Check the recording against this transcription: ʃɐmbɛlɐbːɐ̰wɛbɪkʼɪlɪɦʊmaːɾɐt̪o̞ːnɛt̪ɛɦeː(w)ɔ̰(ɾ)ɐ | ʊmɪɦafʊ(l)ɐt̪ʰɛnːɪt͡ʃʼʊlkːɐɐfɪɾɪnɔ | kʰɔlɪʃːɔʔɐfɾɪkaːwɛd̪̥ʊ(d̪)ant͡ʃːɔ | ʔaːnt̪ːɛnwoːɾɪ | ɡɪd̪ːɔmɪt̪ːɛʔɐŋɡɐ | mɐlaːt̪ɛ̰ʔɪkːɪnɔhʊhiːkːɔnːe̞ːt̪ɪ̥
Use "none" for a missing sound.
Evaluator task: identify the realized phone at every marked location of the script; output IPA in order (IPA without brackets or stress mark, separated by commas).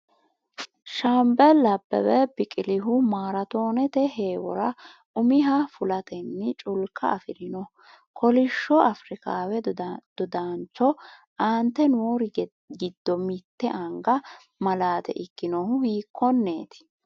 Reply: w, ɾ, l, d̪